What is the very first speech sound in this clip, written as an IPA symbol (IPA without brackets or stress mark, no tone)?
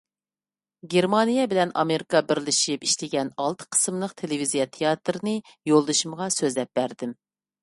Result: ɡʲ